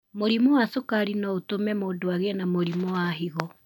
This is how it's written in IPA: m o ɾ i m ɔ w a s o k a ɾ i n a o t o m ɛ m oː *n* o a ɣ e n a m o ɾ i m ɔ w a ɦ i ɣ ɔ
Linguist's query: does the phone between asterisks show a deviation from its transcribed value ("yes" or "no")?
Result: yes